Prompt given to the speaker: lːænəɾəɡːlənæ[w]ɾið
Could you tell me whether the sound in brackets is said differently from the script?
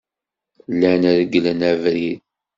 yes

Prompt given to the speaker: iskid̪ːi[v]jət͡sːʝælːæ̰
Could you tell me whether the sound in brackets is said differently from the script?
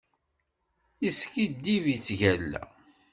no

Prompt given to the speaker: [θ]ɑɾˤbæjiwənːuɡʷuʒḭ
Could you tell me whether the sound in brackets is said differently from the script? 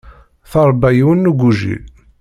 no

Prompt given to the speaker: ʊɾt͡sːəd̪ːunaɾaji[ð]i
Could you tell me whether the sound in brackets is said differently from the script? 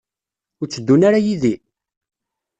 no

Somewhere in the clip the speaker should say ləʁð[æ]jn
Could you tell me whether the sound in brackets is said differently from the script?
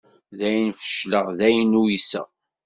no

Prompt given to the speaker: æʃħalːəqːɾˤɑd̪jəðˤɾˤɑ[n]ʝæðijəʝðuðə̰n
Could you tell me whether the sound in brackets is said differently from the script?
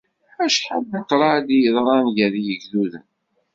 no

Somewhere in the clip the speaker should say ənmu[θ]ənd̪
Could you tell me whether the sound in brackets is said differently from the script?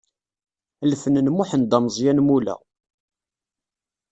yes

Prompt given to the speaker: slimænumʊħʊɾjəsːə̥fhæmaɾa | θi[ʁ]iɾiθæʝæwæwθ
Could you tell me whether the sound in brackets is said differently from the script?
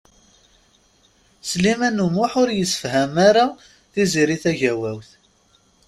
yes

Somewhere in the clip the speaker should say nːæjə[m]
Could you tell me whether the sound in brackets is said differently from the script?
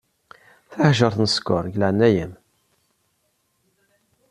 no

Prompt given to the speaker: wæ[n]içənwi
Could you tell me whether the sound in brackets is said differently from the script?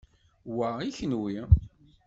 yes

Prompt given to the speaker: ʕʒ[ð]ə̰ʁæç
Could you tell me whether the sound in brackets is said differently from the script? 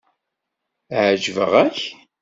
yes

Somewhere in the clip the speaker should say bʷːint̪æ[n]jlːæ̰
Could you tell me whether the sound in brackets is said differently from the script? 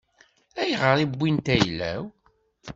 yes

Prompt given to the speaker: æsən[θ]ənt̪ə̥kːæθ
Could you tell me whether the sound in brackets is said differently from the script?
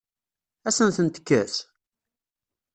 no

